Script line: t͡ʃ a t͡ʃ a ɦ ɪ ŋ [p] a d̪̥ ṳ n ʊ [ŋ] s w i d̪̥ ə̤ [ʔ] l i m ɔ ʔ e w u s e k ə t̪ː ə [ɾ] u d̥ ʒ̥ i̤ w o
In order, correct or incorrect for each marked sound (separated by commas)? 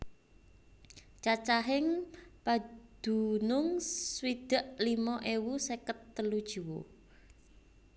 correct, correct, correct, incorrect